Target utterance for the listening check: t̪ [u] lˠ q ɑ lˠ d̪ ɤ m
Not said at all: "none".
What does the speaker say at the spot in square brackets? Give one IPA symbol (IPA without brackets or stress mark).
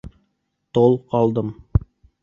o